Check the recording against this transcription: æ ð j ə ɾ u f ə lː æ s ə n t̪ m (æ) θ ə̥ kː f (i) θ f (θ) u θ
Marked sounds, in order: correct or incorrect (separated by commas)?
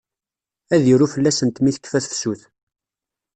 incorrect, incorrect, incorrect